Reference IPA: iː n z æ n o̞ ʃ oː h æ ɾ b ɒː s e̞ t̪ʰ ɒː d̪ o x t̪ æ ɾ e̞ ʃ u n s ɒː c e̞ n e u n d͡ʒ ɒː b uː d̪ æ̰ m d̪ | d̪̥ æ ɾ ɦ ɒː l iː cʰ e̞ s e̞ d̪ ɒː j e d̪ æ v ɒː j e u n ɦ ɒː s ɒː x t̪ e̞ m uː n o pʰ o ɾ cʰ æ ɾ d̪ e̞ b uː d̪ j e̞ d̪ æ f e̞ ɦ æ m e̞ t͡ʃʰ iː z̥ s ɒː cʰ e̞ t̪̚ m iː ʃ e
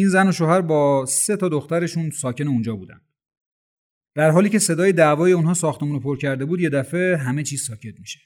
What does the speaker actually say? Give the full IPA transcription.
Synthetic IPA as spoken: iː n z æ n o̞ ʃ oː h æ ɾ b ɒː s e̞ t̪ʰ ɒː d̪ o x t̪ æ ɾ e̞ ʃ u n s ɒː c e̞ n e u n d͡ʒ ɒː b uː d̪ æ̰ n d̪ | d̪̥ æ ɾ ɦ ɒː l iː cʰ e̞ s e̞ d̪ ɒː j e d̪ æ v ɒː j e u n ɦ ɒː s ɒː x t̪ e̞ m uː n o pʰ o ɾ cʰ æ ɾ d̪ e̞ b uː d̪ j e̞ d̪ æ f e̞ ɦ æ m e̞ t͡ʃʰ iː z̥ s ɒː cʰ e̞ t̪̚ m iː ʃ e